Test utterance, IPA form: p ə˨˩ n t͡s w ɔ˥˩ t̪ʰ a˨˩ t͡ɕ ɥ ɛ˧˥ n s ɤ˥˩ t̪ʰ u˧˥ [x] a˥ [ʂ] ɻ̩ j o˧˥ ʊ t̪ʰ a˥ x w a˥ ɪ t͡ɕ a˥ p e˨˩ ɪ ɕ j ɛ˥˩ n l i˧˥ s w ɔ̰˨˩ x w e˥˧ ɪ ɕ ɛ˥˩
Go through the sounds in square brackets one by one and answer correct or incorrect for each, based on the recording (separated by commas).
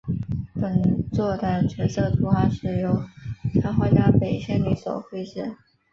correct, correct